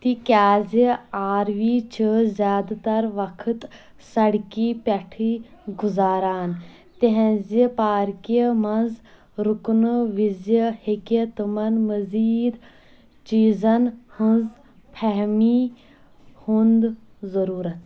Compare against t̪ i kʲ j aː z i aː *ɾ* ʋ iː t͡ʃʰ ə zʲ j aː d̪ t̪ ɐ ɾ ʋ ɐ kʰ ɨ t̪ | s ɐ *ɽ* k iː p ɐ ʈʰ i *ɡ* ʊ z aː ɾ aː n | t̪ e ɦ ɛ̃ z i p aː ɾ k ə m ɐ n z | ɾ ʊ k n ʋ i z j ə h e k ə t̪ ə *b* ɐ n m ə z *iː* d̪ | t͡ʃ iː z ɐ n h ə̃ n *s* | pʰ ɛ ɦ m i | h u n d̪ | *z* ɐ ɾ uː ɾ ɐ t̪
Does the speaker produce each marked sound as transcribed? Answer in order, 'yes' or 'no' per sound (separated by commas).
yes, yes, yes, no, yes, no, yes